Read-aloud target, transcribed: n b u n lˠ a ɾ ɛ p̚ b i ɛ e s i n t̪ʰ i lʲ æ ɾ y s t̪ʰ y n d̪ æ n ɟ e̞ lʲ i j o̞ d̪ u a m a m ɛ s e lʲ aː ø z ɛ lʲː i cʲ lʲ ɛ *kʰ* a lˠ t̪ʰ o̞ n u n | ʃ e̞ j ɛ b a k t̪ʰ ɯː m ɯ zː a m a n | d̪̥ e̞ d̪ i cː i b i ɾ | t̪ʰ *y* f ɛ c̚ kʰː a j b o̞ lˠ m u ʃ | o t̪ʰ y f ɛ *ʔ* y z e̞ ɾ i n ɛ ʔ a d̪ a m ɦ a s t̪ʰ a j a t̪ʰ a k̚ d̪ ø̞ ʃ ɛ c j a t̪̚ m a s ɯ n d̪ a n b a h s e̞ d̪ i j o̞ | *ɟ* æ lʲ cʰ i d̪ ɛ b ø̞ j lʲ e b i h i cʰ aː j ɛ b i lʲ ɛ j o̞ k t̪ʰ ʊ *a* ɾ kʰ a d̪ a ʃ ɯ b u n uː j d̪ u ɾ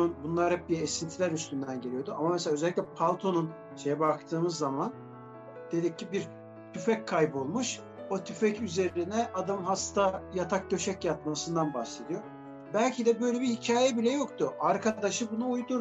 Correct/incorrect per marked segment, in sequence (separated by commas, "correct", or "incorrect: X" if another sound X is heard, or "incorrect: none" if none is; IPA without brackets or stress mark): incorrect: pʰ, correct, incorrect: c, incorrect: b, correct